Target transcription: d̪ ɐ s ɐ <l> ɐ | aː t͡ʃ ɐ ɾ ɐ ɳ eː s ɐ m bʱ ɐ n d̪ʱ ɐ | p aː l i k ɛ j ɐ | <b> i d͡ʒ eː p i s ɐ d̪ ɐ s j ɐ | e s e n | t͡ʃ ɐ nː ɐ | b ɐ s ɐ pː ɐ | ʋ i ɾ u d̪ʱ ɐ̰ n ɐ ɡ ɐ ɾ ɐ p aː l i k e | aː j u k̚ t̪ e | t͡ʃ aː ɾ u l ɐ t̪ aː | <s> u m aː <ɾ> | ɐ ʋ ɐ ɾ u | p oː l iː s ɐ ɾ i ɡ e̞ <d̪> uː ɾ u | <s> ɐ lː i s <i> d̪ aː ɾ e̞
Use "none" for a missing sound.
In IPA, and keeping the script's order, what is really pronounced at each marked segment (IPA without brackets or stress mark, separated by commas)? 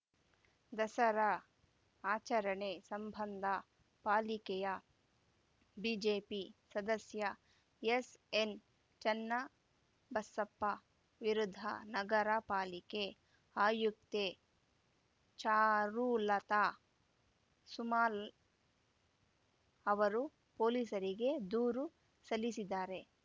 ɾ, b, s, l, d̪, s, i